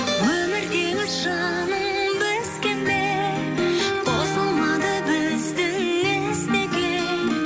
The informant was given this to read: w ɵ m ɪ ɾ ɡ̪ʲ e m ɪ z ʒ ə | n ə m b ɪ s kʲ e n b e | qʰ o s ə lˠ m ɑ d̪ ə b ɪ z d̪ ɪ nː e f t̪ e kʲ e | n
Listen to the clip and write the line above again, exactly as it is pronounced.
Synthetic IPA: w ɵ m ɪ ɾ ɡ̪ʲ e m ɪ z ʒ ɑ | n ə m b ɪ s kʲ e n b e | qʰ o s ə lˠ m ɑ d̪ ə b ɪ z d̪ ɪ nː e s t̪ e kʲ e | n